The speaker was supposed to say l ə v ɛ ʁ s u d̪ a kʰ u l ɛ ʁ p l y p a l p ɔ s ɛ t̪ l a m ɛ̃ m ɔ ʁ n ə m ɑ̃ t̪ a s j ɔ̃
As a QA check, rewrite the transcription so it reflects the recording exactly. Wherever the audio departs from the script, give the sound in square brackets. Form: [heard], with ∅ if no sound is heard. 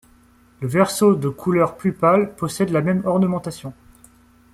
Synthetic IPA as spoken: l ə v ɛ ʁ s [o] d̪ [ə] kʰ u l [œ] ʁ p l y p a l p ɔ s ɛ [d̪] l a m [ɛ] m ɔ ʁ n ə m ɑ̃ t̪ a s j ɔ̃